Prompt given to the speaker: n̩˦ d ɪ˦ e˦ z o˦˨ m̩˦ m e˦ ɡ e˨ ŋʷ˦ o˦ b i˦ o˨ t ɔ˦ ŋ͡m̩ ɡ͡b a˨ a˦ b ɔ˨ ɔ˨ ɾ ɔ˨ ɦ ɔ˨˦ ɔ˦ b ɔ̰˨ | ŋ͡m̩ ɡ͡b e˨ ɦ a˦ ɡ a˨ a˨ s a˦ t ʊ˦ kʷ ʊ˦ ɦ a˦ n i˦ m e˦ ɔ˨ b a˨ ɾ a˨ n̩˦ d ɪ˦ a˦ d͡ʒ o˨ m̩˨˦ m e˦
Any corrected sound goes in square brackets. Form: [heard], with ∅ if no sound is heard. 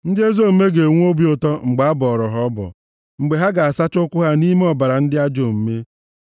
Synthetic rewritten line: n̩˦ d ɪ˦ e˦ z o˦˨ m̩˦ m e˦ ɡ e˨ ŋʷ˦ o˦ b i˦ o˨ t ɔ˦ ŋ͡m̩ ɡ͡b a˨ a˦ b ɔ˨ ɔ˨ ɾ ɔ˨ ɦ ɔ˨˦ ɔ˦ b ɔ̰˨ | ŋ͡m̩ ɡ͡b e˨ ɦ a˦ ɡ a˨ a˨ s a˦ [t͡ʃ] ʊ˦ kʷ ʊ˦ ɦ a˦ n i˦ m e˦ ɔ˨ b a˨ ɾ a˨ n̩˦ d ɪ˦ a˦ d͡ʒ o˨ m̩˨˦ m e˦